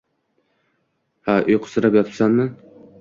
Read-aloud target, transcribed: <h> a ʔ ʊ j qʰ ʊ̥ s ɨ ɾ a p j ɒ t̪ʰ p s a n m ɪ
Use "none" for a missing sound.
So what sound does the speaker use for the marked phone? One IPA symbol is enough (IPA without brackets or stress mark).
h